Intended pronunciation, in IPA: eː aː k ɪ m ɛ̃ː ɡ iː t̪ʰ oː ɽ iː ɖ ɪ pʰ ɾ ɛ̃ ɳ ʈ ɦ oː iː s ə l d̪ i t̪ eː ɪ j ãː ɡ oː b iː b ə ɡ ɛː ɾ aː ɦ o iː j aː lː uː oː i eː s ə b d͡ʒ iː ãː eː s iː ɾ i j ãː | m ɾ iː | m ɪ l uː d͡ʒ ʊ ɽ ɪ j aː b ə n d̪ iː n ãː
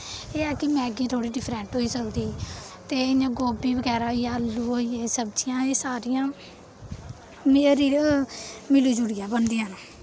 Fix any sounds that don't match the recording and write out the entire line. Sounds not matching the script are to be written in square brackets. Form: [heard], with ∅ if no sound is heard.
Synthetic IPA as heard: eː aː k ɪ m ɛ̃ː ɡ iː t̪ʰ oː ɽ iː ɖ ɪ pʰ ɾ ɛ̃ ɳ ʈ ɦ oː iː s ə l d̪ [iː] t̪ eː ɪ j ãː ɡ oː b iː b ə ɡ ɛː ɾ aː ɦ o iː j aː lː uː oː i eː s ə b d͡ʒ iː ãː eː s [aː] ɾ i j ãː | m ɾ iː | m ɪ l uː d͡ʒ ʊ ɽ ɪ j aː b ə n d̪ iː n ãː